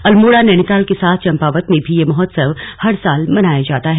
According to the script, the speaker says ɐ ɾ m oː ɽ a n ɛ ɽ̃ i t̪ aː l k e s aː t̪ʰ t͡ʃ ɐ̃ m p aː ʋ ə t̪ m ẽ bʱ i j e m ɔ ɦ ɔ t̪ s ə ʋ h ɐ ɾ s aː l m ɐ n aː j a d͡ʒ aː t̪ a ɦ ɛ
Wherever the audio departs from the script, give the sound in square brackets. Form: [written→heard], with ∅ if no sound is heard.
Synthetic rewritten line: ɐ [ɾ→l] m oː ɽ a n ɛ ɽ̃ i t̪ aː l k e s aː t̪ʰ t͡ʃ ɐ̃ m p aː ʋ ə t̪ m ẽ bʱ i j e m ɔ ɦ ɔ t̪ s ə ʋ h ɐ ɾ s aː l m ɐ n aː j a d͡ʒ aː t̪ a ɦ ɛ

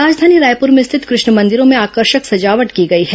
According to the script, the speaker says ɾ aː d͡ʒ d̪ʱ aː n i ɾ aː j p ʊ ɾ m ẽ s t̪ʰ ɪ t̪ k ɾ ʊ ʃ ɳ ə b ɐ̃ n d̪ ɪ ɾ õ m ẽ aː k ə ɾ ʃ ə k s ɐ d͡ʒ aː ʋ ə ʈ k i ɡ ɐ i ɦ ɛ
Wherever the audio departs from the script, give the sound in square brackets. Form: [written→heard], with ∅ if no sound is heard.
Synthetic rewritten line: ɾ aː d͡ʒ d̪ʱ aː n i ɾ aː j p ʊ ɾ m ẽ s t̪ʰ ɪ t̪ k ɾ ʊ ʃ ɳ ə [b→m] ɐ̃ n d̪ ɪ ɾ õ m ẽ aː k ə ɾ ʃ ə k s ɐ d͡ʒ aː ʋ ə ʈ k i ɡ ɐ i ɦ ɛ

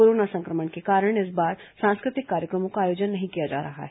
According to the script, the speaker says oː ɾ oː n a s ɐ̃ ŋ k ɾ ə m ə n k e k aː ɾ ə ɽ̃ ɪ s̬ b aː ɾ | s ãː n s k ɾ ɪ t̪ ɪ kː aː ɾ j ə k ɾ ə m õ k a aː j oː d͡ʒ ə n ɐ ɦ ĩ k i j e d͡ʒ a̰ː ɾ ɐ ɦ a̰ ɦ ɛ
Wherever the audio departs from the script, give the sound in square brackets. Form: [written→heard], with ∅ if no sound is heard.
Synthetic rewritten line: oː ɾ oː n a s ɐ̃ ŋ k ɾ ə m ə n k e k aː ɾ ə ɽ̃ ɪ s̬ b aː ɾ | s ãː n s k ɾ ɪ t̪ ɪ kː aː ɾ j ə k ɾ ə m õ k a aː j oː d͡ʒ ə [n→nː] ɐ ɦ ĩ k i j [e→a] d͡ʒ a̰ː ɾ ɐ ɦ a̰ ɦ ɛ

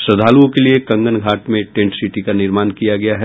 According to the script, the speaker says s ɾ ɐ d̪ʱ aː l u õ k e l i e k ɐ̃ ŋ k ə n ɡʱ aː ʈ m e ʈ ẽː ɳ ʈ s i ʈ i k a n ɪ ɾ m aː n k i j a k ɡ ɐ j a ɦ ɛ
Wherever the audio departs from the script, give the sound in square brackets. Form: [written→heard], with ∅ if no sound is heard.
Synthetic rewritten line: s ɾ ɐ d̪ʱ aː l u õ k e l i e k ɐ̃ ŋ [k→ɡ] ə n ɡʱ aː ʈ m [e→ẽ] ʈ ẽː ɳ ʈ s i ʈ i k a n ɪ ɾ m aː n k i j a [k→∅] ɡ ɐ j a ɦ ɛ

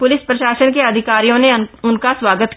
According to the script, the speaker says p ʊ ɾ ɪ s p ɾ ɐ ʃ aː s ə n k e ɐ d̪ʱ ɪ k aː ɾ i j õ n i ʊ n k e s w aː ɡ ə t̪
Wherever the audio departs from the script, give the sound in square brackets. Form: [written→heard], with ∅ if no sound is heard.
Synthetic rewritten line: p ʊ [ɾ→l] ɪ s p ɾ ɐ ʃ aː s ə n k e ɐ d̪ʱ ɪ k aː ɾ i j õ n [i→e] ʊ n k [e→a] s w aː ɡ ə t̪

